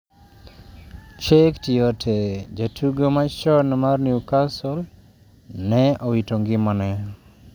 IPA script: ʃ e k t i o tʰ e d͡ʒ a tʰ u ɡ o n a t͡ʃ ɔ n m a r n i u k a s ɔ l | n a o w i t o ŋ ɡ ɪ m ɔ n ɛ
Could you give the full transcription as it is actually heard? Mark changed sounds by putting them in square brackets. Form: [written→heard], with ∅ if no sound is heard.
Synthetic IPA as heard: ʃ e k t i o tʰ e d͡ʒ a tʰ u ɡ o [n→m] a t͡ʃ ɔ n m a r n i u k a s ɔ l | n [a→ɛ] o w i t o ŋ ɡ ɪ m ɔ n ɛ

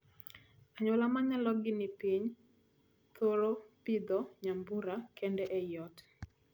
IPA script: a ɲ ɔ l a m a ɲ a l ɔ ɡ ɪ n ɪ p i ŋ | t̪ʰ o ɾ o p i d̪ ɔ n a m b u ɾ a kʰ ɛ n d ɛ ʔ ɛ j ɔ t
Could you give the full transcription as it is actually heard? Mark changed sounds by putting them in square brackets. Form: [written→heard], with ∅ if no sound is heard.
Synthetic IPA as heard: a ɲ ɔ l a m a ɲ a l ɔ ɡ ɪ n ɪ p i [ŋ→ɲ] | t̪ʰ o ɾ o p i d̪ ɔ [n→ɲ] a m b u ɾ a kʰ ɛ n d ɛ ʔ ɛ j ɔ t

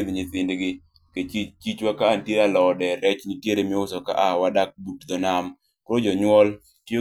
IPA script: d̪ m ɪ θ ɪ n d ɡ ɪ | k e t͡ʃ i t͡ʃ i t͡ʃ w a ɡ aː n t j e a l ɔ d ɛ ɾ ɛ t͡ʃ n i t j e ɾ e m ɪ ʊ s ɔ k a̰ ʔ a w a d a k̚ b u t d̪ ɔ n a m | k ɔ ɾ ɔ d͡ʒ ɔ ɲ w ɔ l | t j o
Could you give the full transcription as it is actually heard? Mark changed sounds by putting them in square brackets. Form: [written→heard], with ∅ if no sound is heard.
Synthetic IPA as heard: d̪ [m→ɲ] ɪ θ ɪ n d ɡ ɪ | k e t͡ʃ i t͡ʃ i t͡ʃ w a [ɡ→k] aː n t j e a l ɔ d ɛ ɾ ɛ t͡ʃ n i t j e ɾ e m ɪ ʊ s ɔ k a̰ ʔ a w a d a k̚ b u t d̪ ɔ n a m | k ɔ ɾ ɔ d͡ʒ ɔ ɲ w ɔ l | t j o

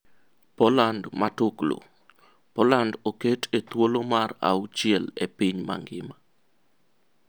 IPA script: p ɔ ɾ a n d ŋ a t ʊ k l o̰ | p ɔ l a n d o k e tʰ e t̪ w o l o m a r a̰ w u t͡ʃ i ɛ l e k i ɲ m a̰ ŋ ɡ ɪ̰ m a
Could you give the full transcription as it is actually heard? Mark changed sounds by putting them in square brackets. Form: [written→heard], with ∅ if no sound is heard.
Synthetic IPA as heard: p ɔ [ɾ→l] a n d [ŋ→m] a t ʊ k l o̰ | p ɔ l a n d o k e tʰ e t̪ w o l o m a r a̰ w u t͡ʃ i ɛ l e [k→p] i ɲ m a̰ ŋ ɡ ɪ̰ m a

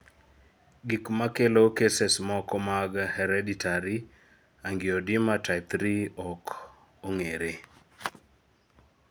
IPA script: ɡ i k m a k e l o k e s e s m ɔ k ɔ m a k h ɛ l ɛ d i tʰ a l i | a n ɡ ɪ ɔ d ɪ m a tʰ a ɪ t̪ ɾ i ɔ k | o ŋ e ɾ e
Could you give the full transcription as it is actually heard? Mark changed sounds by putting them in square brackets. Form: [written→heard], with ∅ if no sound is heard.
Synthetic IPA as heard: ɡ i k m a k e l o k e s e s m ɔ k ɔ m a [k→ɡ] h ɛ [l→ɾ] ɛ d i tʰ a [l→ɾ] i | a [n→ŋ] ɡ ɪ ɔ d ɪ m a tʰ a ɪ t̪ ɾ i ɔ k | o ŋ e ɾ e

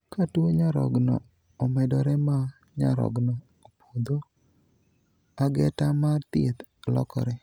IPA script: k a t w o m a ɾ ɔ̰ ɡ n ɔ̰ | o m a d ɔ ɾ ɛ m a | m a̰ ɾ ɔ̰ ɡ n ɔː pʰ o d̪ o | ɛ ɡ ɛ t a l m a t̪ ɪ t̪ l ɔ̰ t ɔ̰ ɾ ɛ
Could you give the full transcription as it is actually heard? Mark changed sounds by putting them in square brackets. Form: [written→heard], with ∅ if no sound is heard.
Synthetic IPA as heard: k a t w o [m→ɲ] a ɾ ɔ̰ ɡ n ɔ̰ | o m [a→ɛ] d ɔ ɾ ɛ m a | [m→ɲ] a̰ ɾ ɔ̰ ɡ n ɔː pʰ o d̪ o | [ɛ→a] ɡ ɛ t a [l→∅] m a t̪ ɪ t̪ l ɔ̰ [t→k] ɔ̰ ɾ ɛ

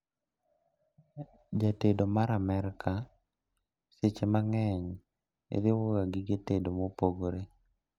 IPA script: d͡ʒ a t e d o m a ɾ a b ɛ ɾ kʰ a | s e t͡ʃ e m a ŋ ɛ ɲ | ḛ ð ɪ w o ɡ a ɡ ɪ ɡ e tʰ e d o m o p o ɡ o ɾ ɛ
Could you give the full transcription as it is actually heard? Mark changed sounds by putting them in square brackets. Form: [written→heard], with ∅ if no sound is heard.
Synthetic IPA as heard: d͡ʒ a t e d o m a ɾ a [b→m] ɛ ɾ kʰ a | s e t͡ʃ e m a ŋ ɛ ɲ | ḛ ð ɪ w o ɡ a ɡ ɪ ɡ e [tʰ→t] e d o m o p o ɡ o ɾ [ɛ→e]

